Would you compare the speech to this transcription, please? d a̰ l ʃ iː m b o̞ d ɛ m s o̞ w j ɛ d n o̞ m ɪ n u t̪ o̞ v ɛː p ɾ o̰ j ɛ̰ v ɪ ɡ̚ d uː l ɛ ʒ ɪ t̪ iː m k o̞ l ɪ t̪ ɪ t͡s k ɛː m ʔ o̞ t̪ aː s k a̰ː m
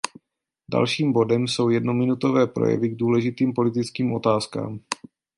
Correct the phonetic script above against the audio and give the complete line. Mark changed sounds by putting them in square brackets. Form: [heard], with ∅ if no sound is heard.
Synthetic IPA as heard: d a̰ l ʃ iː m b o̞ d ɛ m s o̞ w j ɛ d n o̞ m ɪ n u t̪ o̞ v ɛː p ɾ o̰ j ɛ̰ v ɪ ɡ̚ d uː l ɛ ʒ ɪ t̪ iː m [p] o̞ l ɪ t̪ ɪ t͡s k [iː] m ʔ o̞ t̪ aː s k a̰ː m

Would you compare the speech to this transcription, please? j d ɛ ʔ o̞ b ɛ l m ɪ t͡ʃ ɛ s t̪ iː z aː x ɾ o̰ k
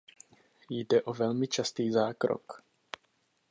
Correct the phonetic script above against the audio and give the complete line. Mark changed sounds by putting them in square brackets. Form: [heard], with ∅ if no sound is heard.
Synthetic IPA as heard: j d ɛ ʔ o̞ [v] ɛ l m ɪ t͡ʃ [a] s t̪ iː z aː [k] ɾ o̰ k

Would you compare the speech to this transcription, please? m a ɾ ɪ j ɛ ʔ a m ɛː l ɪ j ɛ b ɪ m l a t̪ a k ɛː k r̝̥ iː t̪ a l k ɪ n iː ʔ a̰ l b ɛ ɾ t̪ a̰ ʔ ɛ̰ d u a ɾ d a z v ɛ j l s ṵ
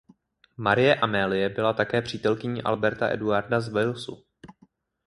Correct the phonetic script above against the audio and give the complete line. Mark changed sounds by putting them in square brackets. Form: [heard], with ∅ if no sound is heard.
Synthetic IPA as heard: m a ɾ ɪ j ɛ ʔ a m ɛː l ɪ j ɛ b ɪ [∅] l a t̪ a k ɛː [p] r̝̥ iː t̪ [ɛ] l k ɪ [ɲ] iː ʔ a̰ l b ɛ ɾ t̪ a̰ ʔ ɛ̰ d u a ɾ d a z v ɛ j l s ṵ

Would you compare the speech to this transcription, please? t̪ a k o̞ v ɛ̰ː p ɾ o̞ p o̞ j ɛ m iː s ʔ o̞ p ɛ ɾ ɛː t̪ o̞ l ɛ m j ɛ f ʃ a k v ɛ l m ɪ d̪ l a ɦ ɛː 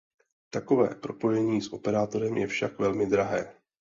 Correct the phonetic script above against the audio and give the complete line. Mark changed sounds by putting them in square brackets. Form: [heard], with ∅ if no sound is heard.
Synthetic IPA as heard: t̪ a k o̞ v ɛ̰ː p ɾ o̞ p o̞ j ɛ [ɲ] iː s ʔ o̞ p ɛ ɾ [aː] t̪ o̞ [ɾ] ɛ m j ɛ f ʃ a k v ɛ l m ɪ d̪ [ɾ] a ɦ ɛː

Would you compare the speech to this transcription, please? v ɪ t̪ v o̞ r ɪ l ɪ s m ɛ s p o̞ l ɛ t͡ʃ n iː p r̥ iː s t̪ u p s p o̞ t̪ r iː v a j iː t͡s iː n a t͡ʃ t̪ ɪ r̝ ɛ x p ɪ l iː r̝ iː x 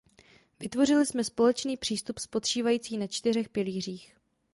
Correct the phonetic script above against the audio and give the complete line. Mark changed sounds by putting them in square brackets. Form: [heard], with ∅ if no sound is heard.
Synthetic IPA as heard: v ɪ t̪ v o̞ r ɪ l ɪ s m ɛ s p o̞ l ɛ t͡ʃ n iː p r̥ iː s t̪ u p s p o̞ t̪ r iː v a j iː t͡s iː n a t͡ʃ t̪ ɪ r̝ ɛ x p ɪ l iː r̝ iː x

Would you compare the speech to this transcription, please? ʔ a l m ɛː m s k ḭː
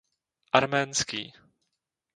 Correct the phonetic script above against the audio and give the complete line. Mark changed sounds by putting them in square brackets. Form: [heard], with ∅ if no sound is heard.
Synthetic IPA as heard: ʔ a [ɾ] m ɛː [n] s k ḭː

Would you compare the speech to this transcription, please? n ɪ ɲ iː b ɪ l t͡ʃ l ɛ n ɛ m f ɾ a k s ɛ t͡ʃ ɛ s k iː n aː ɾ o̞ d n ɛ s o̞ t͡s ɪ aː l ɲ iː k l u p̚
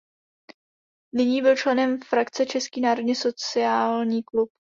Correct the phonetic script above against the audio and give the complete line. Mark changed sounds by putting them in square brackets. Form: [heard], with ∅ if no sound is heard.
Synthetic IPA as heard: n ɪ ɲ iː b ɪ l t͡ʃ l ɛ n ɛ m f ɾ a k [t͡s] ɛ t͡ʃ ɛ s k iː n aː ɾ o̞ d [ɲ] ɛ s o̞ t͡s ɪ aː l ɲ iː k l u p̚

